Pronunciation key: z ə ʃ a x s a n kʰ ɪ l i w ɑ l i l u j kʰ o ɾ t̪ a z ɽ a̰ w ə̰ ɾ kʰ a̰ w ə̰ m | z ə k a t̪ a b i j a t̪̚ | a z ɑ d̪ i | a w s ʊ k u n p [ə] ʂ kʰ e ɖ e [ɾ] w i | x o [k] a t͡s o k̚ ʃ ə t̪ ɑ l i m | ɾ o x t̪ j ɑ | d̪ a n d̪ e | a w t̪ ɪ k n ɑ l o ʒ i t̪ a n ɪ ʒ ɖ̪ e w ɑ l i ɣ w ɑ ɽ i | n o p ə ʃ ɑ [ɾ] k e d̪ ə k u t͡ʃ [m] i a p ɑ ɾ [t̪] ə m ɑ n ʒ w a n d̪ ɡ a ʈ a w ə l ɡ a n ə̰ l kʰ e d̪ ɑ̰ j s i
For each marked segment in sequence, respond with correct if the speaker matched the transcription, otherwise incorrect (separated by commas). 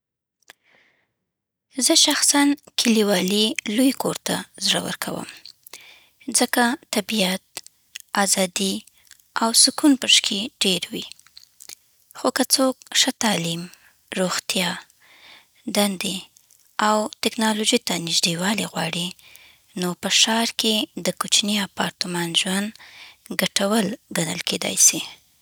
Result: correct, correct, correct, correct, incorrect, correct